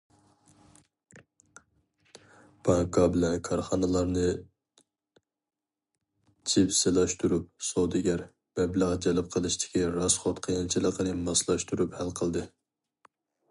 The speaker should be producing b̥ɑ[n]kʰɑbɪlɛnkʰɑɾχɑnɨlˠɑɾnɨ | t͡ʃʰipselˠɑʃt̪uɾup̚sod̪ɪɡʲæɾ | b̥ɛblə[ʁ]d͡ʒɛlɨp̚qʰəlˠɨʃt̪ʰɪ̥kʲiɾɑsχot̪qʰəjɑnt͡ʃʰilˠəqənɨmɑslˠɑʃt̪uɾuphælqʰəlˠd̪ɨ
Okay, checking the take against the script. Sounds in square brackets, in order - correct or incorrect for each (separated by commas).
incorrect, correct